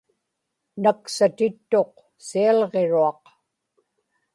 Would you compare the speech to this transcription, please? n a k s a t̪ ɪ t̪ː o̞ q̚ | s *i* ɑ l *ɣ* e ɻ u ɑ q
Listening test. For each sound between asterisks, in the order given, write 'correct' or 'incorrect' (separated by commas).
correct, incorrect